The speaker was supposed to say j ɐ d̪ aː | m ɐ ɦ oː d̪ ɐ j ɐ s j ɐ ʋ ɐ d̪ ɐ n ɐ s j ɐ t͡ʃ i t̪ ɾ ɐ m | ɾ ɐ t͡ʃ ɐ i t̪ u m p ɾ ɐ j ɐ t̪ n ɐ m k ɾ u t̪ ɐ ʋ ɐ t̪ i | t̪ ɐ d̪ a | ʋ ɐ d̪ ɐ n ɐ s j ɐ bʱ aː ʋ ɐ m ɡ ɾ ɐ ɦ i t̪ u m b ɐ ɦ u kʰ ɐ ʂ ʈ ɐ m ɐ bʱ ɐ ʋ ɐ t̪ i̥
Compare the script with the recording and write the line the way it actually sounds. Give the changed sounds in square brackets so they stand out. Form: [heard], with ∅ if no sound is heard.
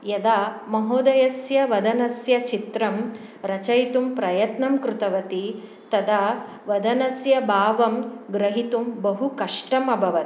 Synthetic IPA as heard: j ɐ d̪ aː | m ɐ ɦ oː d̪ ɐ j ɐ s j ɐ ʋ ɐ d̪ ɐ n ɐ s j ɐ t͡ʃ i t̪ ɾ ɐ m | ɾ ɐ t͡ʃ ɐ [j] t̪ u m p ɾ ɐ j ɐ t̪ n ɐ m k ɾ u t̪ ɐ ʋ ɐ t̪ i | t̪ ɐ d̪ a | ʋ ɐ d̪ ɐ n ɐ s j ɐ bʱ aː ʋ ɐ m ɡ ɾ ɐ ɦ i t̪ u m b ɐ ɦ u [k] ɐ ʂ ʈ ɐ m ɐ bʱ ɐ ʋ ɐ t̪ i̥